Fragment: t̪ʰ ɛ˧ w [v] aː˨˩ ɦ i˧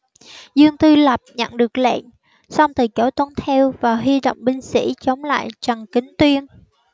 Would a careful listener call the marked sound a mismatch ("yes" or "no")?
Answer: no